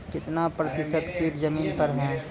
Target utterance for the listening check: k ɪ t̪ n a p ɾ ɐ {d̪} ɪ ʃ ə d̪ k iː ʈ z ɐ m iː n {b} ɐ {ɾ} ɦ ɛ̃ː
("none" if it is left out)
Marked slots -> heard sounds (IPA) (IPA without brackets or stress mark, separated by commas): t̪, p, ɾ